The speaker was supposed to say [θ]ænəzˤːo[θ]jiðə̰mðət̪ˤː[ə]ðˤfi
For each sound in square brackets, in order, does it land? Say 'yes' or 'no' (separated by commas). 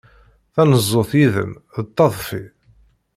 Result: yes, yes, no